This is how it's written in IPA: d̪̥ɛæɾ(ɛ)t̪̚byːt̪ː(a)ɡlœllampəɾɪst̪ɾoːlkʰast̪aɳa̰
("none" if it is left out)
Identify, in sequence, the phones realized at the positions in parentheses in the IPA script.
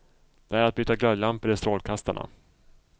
a, a

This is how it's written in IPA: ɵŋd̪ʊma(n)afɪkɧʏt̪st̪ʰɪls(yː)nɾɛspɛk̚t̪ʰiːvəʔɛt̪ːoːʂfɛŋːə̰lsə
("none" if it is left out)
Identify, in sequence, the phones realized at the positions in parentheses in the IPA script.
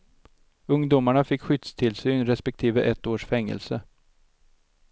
ɳ, yː

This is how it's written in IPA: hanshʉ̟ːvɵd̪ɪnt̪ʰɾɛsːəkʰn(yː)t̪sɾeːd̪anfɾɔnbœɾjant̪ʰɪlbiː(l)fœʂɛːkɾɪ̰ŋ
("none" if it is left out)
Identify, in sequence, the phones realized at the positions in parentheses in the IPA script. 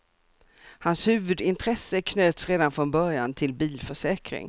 øː, l

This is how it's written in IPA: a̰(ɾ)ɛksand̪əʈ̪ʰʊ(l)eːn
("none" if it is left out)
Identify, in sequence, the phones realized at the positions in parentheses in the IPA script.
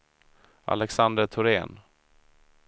l, ɾ

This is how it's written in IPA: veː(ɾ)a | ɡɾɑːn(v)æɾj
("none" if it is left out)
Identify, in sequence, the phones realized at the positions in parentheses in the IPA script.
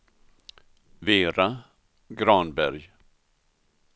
ɾ, b

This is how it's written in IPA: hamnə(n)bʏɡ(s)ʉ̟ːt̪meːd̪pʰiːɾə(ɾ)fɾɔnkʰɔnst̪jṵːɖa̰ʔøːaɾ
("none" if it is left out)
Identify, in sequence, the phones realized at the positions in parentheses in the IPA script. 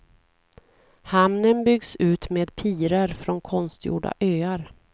n, s, ɾ

